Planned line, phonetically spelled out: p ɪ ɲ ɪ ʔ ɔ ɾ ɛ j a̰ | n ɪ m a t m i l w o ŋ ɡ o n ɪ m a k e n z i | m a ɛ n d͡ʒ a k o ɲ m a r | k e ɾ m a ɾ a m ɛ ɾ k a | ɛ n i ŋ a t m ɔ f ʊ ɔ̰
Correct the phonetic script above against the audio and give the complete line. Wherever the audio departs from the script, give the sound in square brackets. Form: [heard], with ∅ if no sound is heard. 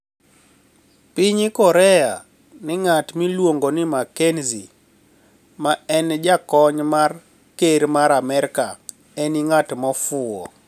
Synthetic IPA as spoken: p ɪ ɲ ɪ [k] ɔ ɾ ɛ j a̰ | n ɪ [ŋ] a t m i l w o ŋ ɡ o n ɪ m a k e n z i | m a ɛ n d͡ʒ a k [ɔ] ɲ m a r | k e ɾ m a ɾ a m ɛ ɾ k a | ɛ n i ŋ a t m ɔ f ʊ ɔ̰